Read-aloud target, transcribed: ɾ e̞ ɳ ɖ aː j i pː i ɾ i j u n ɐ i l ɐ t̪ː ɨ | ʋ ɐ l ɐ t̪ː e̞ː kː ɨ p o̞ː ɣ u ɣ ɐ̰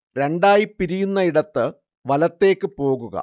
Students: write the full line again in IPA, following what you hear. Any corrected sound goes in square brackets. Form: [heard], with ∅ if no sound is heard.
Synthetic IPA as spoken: ɾ e̞ ɳ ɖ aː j i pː i ɾ i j u [nː] ɐ i [ɽ] ɐ t̪ː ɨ | ʋ ɐ l ɐ t̪ː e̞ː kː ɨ p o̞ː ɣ u ɣ ɐ̰